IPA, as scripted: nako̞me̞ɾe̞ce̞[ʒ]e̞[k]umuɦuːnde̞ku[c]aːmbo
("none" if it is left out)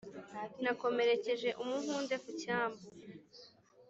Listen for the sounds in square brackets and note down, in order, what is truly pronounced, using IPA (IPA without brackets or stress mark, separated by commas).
ʒ, ʔ, c